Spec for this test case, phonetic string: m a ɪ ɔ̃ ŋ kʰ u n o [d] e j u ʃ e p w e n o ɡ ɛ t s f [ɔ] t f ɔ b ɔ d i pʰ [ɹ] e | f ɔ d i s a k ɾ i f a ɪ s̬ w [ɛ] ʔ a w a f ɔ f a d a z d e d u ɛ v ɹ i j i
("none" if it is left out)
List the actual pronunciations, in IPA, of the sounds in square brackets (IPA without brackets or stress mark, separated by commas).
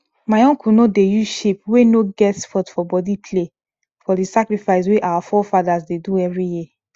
d, ɔ, l, e